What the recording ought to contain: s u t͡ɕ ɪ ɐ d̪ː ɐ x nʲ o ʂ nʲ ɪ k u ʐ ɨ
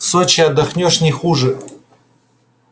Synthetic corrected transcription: s o t͡ɕ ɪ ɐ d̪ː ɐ x nʲ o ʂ nʲ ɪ x u ʐ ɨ